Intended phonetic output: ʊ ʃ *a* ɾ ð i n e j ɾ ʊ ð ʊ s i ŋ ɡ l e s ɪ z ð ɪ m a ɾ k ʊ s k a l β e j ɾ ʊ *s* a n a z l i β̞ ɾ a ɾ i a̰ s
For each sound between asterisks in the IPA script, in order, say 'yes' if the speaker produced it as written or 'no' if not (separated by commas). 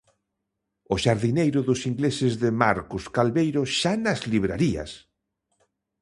yes, no